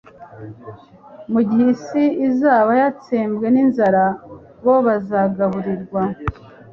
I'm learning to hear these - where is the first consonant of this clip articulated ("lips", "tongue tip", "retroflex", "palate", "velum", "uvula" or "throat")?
lips